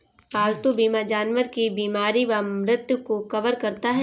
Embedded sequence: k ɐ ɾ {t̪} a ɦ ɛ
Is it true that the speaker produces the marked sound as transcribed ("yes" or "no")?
yes